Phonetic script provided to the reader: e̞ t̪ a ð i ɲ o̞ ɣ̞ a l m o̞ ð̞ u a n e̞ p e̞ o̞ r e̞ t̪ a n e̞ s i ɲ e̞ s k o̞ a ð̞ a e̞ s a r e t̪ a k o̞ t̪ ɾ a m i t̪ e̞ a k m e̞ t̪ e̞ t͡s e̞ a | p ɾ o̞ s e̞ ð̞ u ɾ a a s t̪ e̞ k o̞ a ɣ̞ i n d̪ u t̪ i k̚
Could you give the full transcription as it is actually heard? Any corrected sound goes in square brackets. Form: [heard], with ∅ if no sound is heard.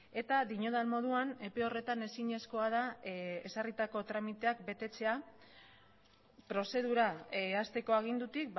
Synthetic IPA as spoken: e̞ t̪ a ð i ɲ o̞ [ð̞] a l m o̞ ð̞ u a n e̞ p e̞ o̞ r e̞ t̪ a n e̞ s i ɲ e̞ s k o̞ a ð̞ a e̞ s a r [i] t̪ a k o̞ t̪ ɾ a m i t̪ e̞ a k [b] e̞ t̪ e̞ t͡s e̞ a | p ɾ o̞ s e̞ ð̞ u ɾ a a s t̪ e̞ k o̞ a ɣ̞ i n d̪ u t̪ i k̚